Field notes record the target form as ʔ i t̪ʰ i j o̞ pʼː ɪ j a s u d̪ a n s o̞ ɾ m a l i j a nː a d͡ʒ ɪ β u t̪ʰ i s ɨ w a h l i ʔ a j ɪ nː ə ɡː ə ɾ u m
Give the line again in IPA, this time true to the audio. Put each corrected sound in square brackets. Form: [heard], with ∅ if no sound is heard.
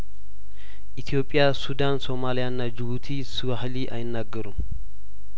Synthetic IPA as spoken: ʔ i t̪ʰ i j o̞ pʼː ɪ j a s u d̪ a n s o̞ [∅] m a l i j a nː a d͡ʒ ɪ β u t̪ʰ i s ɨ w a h l i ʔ a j ɪ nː [a] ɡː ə ɾ u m

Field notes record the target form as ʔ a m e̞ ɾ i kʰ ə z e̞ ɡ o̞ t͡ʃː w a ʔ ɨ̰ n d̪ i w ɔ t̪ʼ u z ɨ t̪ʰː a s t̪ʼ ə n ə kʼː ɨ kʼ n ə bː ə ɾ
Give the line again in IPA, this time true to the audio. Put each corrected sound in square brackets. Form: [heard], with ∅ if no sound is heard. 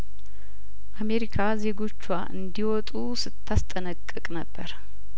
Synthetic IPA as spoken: ʔ a m e̞ ɾ i kʰ [a] z e̞ ɡ o̞ t͡ʃː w a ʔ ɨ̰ n d̪ i w ɔ t̪ʼ u [s] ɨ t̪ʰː a s t̪ʼ ə n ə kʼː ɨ kʼ n ə bː ə ɾ

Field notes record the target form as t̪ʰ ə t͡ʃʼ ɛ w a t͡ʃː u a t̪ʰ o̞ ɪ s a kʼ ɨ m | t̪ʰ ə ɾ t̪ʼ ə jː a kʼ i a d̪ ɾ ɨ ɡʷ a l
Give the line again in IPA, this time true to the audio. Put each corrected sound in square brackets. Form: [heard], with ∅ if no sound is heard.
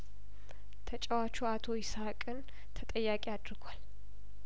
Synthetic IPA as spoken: t̪ʰ ə t͡ʃʼ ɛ w a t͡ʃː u a t̪ʰ o̞ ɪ s a kʼ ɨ [n] | t̪ʰ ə [∅] t̪ʼ ə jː a kʼ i a d̪ ɾ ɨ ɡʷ a l

